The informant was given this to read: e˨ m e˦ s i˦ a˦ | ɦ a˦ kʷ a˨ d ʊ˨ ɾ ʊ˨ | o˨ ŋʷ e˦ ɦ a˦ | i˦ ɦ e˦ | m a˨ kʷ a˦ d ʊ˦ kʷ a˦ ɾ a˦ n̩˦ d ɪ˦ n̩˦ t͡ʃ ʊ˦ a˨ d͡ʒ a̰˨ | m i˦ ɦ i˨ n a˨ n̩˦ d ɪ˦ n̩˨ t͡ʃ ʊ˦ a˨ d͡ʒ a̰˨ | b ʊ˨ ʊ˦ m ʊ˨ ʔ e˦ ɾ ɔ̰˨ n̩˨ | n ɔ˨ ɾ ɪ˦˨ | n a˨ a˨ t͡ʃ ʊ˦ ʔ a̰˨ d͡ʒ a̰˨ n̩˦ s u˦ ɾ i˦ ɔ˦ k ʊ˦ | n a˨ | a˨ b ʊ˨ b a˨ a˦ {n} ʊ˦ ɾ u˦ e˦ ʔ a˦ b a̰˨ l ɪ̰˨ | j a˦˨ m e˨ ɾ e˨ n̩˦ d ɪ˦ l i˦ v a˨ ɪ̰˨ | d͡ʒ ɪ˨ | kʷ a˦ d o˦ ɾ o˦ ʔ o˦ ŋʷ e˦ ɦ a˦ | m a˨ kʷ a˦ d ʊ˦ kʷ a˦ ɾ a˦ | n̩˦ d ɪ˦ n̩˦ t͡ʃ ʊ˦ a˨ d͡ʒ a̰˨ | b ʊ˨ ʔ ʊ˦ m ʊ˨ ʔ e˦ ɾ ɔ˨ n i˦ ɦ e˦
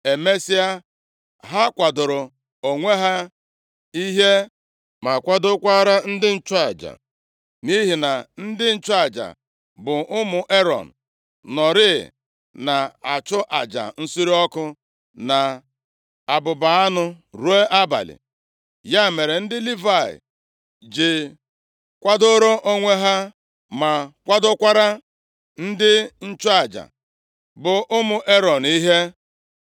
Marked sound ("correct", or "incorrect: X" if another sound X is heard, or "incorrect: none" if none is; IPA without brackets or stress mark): correct